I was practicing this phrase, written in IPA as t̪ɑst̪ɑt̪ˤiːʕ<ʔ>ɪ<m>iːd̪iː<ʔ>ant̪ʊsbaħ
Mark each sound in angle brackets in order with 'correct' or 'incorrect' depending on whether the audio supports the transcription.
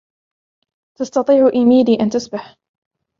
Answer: correct, correct, correct

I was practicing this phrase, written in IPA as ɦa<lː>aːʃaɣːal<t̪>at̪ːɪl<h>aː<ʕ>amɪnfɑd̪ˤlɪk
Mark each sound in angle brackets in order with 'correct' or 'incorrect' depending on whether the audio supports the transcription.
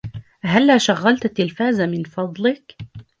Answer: correct, correct, incorrect: f, incorrect: z

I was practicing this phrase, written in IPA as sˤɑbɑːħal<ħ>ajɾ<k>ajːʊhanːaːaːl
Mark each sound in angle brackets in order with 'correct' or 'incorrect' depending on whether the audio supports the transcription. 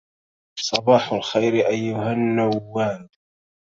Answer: incorrect: x, incorrect: ʔ

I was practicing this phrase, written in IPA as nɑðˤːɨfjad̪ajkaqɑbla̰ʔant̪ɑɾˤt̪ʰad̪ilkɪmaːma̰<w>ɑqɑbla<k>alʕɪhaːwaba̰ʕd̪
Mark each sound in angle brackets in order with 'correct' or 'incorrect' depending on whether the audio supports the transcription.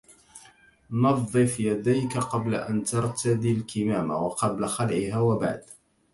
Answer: correct, incorrect: x

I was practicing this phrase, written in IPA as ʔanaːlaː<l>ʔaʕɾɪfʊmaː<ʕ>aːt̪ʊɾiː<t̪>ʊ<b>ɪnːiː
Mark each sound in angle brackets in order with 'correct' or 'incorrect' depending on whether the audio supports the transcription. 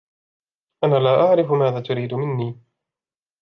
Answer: incorrect: none, incorrect: ð, incorrect: d̪, incorrect: m

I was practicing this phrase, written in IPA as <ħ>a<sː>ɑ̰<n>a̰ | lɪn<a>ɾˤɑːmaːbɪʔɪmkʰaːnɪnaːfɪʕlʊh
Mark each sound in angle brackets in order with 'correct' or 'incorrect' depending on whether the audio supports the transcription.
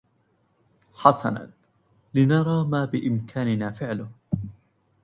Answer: correct, incorrect: s, correct, incorrect: ɑ

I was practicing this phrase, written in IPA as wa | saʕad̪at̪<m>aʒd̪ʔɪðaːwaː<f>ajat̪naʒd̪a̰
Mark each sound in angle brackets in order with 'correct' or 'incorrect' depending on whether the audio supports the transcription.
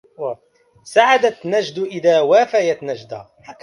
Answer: incorrect: n, correct

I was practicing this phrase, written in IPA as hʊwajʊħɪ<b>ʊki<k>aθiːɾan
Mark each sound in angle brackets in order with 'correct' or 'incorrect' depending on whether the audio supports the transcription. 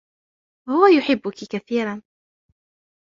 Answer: incorrect: bː, correct

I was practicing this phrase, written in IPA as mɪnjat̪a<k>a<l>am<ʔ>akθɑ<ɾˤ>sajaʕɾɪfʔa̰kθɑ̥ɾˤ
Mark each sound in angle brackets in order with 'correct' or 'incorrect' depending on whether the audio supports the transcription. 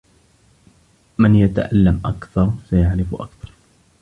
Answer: incorrect: ʔ, incorrect: lː, correct, correct

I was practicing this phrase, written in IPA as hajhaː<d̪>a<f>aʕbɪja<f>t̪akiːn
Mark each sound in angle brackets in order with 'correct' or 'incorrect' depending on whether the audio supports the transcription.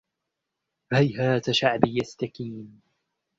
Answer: incorrect: t̪, incorrect: ʃ, incorrect: s

